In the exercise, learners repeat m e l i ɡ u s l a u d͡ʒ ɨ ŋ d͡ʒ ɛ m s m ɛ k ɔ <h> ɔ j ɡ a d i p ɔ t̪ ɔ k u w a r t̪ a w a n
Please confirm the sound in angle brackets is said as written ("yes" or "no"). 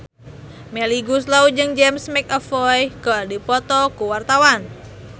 no